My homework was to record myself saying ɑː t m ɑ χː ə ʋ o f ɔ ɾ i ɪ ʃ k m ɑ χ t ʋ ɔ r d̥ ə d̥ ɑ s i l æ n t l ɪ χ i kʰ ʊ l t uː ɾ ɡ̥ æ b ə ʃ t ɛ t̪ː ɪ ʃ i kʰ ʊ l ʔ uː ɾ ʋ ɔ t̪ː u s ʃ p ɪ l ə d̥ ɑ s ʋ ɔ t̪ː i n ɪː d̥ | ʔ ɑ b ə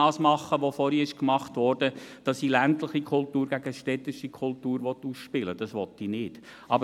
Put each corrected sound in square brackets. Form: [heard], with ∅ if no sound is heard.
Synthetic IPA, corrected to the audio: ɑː [s] m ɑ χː ə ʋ o f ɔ ɾ i ɪ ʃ k m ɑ χ t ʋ ɔ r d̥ ə d̥ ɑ s i l æ n t l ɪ χ i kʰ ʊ l t uː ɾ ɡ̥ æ [ɡ] ə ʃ t ɛ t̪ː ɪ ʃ i kʰ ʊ l [t] uː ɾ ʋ ɔ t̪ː u s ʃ p ɪ l ə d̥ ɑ s ʋ ɔ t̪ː i n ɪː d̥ | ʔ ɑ b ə